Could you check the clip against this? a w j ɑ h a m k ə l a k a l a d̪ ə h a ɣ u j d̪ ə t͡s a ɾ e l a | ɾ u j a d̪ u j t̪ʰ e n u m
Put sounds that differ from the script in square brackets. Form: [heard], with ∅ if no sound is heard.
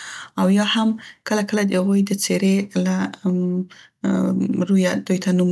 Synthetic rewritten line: a w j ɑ h a m k ə l a k [ə] l a d̪ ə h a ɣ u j d̪ ə t͡s [e] ɾ e l a | ɾ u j a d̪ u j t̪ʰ [a] n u m